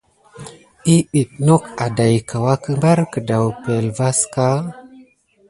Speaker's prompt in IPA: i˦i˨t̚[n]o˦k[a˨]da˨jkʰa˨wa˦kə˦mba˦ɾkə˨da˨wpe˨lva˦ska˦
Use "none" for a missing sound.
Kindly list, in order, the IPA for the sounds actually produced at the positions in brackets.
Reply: n, a˨

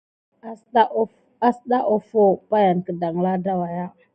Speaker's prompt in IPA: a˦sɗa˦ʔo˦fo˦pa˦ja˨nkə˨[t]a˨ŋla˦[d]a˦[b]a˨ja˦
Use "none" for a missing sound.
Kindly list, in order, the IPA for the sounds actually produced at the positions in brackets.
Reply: d, d, w

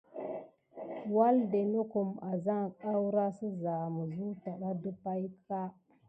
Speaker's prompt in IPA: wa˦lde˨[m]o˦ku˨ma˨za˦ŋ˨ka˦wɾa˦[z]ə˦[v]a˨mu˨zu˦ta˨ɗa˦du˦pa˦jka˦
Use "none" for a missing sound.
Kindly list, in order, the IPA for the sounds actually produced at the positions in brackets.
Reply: n, s, z

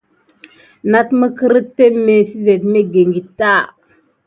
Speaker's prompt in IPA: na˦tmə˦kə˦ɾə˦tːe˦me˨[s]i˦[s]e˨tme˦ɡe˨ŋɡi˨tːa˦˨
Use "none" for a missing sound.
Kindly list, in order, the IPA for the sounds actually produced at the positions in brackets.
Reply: s, z

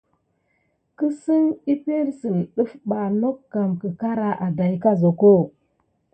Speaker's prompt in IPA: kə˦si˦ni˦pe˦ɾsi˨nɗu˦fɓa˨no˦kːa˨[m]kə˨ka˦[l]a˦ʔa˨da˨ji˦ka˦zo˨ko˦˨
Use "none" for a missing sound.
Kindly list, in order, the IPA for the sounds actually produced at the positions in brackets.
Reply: m, ɾ

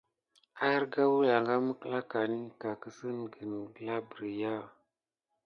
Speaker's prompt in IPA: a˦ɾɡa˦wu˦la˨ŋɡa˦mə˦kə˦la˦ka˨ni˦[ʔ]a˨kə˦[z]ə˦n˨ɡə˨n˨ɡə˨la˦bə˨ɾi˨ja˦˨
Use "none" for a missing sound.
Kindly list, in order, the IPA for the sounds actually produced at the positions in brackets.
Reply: k, s

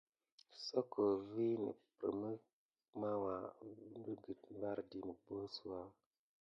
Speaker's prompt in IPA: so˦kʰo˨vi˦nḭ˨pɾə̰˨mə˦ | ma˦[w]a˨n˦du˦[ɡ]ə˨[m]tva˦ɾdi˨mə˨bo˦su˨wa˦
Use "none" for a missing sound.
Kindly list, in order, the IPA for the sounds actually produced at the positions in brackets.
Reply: w, ɡ, none

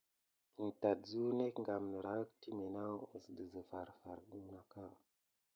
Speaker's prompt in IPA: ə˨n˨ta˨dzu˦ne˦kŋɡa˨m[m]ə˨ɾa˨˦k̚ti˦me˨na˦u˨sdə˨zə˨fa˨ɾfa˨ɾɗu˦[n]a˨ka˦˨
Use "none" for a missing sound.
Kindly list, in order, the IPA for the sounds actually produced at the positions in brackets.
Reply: n, n

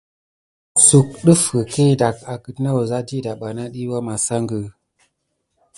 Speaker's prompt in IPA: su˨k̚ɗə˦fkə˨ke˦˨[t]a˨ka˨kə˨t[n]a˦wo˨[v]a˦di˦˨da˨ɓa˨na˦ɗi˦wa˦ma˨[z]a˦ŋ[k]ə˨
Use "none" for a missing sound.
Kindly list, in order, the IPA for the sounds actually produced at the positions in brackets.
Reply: d, n, z, s, ɡ

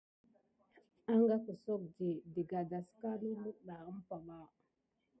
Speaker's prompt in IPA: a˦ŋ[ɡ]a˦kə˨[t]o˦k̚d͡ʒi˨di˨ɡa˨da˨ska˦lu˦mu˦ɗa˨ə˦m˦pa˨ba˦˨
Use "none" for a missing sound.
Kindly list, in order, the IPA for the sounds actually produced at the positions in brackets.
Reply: ɡ, s

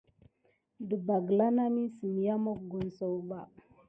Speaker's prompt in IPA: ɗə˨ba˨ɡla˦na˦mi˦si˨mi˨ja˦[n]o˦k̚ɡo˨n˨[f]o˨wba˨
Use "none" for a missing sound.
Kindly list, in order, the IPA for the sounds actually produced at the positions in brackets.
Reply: m, s

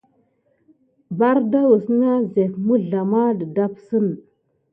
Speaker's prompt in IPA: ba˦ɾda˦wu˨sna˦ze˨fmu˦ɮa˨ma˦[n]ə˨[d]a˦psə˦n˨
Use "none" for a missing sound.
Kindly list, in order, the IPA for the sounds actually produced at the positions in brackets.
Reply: d, d

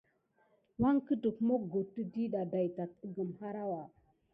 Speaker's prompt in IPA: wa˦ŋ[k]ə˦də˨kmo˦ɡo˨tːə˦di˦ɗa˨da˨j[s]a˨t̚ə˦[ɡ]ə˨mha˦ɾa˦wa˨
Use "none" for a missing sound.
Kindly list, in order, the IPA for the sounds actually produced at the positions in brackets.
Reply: k, t, ɡ

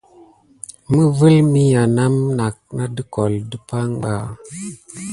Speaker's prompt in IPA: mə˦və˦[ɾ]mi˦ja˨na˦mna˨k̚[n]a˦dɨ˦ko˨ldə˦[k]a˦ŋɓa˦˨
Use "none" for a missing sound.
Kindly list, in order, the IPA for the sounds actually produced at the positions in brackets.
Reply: l, n, p

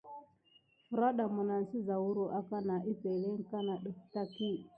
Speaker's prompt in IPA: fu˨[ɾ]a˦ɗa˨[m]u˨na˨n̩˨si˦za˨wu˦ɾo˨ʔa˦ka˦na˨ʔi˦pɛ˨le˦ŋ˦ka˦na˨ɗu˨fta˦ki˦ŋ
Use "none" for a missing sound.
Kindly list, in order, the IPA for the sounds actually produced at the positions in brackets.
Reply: ɾ, m

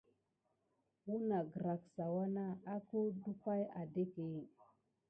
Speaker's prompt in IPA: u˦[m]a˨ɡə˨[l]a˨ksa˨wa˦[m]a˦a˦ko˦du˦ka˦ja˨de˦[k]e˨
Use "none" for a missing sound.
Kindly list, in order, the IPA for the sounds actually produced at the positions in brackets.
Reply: n, ɾ, n, k

